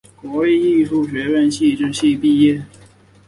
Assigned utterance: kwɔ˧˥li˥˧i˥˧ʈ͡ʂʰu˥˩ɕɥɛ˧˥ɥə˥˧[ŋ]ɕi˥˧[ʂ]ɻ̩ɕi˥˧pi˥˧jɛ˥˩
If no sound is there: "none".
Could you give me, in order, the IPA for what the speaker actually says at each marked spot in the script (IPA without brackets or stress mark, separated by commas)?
n, ʈ͡ʂ